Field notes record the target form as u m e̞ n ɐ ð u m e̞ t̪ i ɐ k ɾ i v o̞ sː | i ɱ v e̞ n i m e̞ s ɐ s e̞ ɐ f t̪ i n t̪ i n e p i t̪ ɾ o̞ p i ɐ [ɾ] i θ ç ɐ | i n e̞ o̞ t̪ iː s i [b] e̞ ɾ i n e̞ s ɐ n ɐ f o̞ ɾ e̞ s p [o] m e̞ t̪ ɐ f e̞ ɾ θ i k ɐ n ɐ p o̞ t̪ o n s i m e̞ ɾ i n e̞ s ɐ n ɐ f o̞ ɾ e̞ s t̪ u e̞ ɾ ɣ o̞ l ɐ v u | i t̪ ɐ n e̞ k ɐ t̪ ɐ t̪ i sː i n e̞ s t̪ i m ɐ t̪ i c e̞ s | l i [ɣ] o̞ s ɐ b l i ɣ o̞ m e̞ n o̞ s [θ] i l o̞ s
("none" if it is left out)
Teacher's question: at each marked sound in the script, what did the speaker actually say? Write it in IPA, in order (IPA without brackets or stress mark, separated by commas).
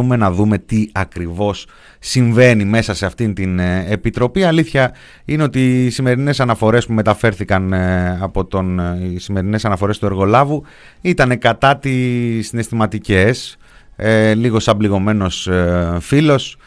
l, m, u, ɣ, f